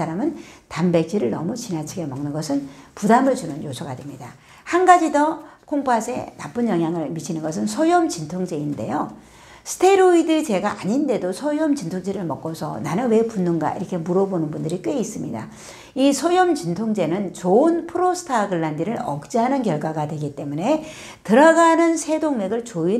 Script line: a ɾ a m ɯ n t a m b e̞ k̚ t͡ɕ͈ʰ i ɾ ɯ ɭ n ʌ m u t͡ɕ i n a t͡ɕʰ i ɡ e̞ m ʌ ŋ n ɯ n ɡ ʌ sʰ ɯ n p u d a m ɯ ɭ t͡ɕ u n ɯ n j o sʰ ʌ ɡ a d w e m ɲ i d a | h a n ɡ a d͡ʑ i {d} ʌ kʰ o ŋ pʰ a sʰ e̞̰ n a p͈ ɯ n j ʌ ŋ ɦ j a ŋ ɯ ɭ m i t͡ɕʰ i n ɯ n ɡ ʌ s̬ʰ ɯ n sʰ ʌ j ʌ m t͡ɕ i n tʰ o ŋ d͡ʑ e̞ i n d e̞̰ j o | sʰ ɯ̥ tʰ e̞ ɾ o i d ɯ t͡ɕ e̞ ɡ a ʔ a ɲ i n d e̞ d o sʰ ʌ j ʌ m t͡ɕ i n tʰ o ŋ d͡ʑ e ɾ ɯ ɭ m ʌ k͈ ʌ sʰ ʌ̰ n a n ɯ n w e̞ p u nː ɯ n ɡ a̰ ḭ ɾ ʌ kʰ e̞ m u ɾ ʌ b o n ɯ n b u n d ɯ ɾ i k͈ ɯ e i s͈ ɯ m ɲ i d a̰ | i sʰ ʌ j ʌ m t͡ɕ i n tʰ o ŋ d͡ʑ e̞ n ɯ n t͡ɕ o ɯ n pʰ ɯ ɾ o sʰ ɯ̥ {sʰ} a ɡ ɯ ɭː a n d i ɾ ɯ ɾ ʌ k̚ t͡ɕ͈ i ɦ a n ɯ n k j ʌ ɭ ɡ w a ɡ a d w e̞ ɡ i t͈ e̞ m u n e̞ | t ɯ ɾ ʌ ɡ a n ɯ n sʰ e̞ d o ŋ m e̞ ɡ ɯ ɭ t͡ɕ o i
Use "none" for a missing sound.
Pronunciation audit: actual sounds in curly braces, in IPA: d, tʰ

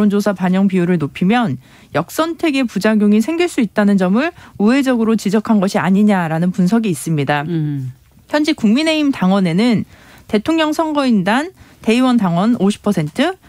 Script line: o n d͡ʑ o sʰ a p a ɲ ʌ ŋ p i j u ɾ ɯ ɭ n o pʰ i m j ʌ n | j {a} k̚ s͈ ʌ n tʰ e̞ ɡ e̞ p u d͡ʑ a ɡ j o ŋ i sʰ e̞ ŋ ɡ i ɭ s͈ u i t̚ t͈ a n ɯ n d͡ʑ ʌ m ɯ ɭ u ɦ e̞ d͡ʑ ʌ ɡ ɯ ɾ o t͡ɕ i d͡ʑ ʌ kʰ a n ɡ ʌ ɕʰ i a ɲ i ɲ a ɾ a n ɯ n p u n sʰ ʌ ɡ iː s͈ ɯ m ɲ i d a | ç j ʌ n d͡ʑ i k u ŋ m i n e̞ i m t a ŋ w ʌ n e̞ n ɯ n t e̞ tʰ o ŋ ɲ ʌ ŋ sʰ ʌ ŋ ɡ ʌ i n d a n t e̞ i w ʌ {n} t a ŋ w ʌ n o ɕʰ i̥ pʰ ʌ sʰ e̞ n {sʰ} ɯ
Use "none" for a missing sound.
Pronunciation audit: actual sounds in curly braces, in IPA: ʌ, n, tʰ

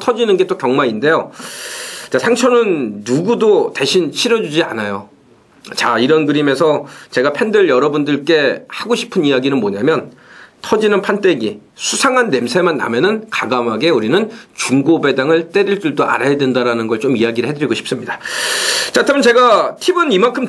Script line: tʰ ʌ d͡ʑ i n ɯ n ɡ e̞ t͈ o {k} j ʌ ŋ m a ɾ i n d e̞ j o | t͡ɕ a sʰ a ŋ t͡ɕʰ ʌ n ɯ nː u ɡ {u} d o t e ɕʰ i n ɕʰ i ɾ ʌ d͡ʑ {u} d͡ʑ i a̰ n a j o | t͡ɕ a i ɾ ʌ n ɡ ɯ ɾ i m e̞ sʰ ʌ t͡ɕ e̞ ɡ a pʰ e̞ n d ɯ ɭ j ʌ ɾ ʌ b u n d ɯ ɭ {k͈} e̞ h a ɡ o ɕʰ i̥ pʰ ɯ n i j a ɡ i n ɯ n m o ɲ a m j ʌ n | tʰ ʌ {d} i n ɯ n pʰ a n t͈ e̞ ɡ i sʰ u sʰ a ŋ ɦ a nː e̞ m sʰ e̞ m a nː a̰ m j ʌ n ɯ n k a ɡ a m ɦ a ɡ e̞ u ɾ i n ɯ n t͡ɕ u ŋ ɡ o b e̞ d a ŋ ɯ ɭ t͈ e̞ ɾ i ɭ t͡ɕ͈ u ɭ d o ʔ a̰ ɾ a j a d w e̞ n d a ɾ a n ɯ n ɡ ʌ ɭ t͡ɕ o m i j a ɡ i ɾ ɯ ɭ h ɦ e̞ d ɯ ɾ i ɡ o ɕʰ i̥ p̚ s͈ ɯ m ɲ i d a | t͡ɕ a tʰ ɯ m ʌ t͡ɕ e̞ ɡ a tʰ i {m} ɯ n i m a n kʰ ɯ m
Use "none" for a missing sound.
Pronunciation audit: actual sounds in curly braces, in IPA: k, u, u, k͈, d͡ʑ, b

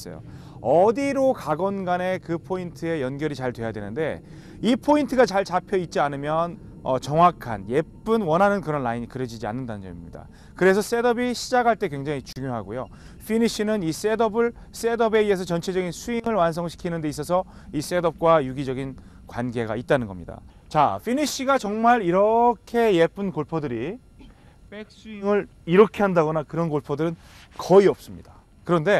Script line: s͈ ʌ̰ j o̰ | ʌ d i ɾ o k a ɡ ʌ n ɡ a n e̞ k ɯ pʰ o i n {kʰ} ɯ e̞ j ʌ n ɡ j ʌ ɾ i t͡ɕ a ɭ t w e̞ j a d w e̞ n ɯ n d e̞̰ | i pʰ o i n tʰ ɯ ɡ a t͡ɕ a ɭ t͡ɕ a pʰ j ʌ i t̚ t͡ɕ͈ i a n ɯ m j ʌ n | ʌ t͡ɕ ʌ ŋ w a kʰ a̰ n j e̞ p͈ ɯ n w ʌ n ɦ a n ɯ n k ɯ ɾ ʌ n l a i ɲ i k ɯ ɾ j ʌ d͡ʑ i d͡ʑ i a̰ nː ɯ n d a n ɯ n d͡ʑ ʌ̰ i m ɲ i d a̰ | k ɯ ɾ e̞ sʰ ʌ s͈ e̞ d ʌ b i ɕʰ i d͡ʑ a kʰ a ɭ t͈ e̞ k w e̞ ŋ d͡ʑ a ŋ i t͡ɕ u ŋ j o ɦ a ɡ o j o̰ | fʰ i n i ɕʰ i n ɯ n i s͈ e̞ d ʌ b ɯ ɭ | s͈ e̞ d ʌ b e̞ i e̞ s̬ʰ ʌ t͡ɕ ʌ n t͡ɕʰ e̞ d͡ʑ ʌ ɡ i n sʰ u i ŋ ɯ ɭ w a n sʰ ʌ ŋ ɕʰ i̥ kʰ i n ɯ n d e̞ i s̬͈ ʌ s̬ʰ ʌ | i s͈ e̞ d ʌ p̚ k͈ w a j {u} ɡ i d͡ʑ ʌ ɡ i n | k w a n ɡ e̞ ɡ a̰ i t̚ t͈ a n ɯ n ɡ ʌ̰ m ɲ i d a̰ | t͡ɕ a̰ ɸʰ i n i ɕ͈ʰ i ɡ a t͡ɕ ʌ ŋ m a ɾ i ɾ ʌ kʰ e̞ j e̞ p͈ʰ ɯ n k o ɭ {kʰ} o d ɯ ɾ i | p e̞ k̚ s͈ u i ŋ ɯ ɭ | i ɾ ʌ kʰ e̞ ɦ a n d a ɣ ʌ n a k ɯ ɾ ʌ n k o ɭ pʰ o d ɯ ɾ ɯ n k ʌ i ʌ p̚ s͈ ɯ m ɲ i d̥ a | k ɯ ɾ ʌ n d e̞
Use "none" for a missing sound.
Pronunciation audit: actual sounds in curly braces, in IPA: tʰ, u, pʰ

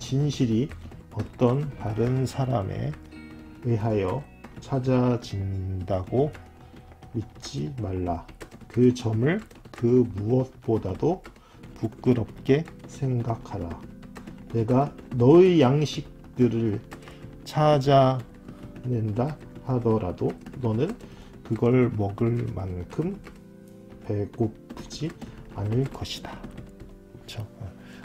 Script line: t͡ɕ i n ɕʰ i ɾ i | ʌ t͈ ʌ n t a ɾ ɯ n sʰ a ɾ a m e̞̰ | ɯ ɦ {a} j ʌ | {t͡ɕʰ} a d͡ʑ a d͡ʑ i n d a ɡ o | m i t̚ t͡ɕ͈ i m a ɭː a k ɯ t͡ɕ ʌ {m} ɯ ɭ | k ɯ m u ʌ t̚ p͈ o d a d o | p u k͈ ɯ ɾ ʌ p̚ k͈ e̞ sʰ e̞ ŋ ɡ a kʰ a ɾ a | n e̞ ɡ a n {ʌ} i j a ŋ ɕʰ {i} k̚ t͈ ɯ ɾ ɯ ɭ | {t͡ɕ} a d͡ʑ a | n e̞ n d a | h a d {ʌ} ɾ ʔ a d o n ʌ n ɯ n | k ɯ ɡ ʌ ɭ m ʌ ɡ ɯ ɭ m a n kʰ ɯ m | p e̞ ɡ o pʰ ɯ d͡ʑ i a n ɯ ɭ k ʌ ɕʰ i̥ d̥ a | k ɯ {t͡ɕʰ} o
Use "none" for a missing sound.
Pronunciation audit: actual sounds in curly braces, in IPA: a, t͡ɕʰ, m, ʌ, i, t͡ɕʰ, ʌ, t͡ɕʰ

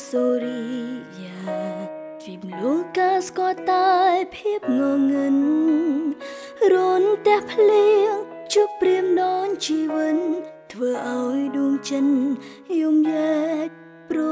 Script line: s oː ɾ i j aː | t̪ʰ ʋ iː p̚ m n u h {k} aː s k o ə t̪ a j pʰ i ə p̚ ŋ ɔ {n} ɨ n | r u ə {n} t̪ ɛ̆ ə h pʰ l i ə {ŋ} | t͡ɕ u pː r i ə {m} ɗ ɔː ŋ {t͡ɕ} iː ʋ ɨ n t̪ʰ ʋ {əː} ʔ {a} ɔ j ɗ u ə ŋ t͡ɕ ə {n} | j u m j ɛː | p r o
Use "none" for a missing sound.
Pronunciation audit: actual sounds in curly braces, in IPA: k, ŋ, n, ŋ, m, t͡ɕ, əː, a, n

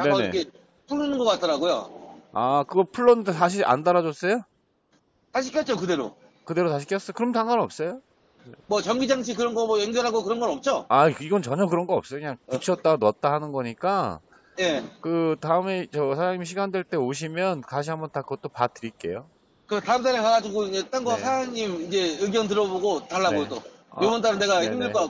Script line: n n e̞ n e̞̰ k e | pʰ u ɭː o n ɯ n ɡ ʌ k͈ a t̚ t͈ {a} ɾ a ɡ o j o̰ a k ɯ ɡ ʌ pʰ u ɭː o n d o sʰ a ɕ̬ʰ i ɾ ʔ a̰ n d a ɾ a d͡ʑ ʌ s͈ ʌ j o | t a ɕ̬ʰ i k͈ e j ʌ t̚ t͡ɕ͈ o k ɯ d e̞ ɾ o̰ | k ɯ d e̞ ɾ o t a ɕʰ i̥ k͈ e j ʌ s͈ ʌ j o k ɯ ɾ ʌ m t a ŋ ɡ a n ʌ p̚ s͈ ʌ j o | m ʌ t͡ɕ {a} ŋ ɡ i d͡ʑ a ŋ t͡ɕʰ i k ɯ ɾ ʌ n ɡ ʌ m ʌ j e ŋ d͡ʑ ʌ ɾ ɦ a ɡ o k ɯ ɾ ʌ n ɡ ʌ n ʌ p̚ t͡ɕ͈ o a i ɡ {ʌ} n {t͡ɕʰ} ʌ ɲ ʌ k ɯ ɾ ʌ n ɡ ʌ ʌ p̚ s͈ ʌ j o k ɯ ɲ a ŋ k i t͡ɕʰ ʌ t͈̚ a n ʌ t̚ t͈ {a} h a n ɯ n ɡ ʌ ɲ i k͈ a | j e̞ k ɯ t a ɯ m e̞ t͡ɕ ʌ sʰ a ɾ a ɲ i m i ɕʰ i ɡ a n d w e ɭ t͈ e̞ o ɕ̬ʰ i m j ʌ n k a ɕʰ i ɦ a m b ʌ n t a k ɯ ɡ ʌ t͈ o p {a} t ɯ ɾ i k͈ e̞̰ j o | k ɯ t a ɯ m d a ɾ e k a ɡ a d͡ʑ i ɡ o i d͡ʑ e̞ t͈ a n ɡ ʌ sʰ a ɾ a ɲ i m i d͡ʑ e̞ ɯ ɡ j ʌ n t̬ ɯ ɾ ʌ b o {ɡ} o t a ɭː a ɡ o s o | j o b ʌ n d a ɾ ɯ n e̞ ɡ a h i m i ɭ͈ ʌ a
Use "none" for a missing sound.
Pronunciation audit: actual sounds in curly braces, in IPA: ʌ, ʌ, ʌ, t͡ɕ, a, a, ɡ

